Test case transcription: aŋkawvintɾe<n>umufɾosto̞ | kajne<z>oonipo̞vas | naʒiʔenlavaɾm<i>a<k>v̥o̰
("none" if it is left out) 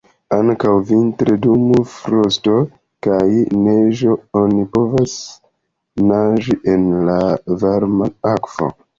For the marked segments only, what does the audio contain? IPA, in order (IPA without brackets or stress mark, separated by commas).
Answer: d, ʒ, a, k